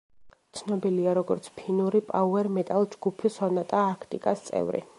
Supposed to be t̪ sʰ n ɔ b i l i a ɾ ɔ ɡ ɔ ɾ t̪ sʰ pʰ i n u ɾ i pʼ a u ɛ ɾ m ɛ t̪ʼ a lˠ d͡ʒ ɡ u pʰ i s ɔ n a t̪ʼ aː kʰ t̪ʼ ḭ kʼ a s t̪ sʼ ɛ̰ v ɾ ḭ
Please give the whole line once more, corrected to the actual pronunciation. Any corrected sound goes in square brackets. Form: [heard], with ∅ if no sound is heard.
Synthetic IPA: t̪ sʰ n ɔ b i l i a ɾ ɔ ɡ ɔ ɾ t̪ sʰ pʰ i n u ɾ i pʼ a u ɛ ɾ m ɛ t̪ʼ a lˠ d͡ʒ ɡ u pʰ i s ɔ n a t̪ʼ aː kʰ t̪ʼ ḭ kʼ a s t̪ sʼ ɛ̰ v ɾ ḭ